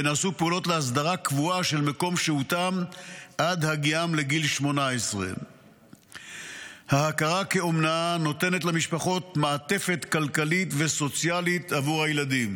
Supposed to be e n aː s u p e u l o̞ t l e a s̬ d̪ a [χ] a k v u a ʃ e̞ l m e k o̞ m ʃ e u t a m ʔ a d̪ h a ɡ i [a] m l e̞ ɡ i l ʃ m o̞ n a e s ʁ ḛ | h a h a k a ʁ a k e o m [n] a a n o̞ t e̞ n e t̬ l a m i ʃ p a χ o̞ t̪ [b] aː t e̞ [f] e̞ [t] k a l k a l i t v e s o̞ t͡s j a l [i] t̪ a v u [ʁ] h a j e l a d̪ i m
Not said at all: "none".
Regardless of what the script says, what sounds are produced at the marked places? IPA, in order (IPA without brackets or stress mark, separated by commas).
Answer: ʁ, a, n, m, f, t, i, ʁ